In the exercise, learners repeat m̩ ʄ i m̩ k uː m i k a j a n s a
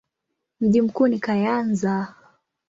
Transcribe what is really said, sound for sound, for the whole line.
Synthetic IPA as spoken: m̩ ʄ i m̩ k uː n i k a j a n z a